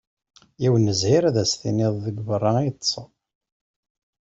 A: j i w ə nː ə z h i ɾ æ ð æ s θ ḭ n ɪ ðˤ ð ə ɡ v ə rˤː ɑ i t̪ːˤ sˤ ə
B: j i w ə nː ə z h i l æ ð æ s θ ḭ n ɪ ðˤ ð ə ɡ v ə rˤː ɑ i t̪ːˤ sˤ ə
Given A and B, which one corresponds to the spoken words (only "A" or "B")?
A